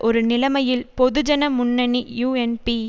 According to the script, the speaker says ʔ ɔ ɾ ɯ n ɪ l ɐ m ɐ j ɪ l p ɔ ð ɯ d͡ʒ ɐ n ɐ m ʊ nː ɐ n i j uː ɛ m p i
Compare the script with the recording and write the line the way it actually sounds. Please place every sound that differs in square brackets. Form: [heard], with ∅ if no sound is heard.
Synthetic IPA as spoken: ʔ ɔ ɾ ɯ n ɪ l ɐ m ɐ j ɪ l p ɔ ð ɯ d͡ʒ ɐ n ɐ m ʊ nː ɐ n i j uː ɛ [n] p i